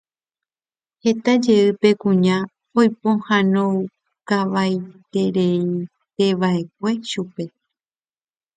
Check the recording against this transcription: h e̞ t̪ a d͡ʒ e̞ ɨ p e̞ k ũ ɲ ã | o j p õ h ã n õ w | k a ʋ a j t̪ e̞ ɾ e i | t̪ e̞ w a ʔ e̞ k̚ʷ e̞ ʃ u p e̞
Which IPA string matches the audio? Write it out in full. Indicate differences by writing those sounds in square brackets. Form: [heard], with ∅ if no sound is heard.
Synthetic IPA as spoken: h e̞ t̪ a d͡ʒ e̞ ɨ p e̞ k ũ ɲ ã | o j p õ h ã n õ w | k a ʋ a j t̪ e̞ ɾ e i | t̪ e̞ [ʋ] a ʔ e̞ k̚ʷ e̞ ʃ u p e̞